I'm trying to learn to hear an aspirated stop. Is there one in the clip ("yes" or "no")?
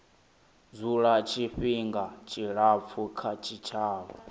yes